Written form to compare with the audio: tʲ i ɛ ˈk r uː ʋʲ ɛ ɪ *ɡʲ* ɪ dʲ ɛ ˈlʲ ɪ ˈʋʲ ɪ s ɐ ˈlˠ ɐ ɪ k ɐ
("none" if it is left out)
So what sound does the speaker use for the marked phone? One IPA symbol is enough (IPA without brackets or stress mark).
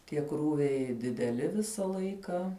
dʲ